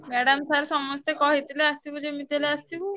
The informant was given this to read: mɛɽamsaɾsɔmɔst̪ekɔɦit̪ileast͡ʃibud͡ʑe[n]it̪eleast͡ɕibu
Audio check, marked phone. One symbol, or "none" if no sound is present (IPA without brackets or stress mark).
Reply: m